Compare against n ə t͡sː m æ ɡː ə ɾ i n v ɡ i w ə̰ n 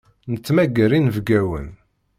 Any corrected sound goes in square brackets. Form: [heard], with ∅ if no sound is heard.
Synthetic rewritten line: n ə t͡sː m æ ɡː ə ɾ i n v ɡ [æ] w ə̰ n